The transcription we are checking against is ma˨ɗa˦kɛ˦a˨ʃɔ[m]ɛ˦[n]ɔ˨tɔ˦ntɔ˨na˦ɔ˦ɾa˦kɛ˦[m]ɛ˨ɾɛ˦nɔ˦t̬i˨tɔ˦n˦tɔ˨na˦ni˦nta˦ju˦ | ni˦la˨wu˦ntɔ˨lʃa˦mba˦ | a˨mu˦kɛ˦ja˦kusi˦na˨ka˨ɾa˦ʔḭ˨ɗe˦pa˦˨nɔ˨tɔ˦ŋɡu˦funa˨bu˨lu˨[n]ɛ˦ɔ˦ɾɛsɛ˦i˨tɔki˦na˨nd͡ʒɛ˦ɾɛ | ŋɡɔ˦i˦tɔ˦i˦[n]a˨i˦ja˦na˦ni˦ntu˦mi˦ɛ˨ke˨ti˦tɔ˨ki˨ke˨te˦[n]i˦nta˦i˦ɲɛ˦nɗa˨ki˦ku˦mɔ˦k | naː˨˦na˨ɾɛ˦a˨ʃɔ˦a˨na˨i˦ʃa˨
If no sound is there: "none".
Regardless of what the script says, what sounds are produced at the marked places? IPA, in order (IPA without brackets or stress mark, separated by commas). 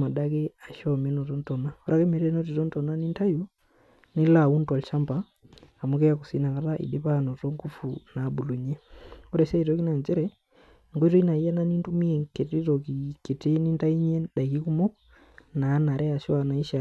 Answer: m, n, m, ɲ, n, n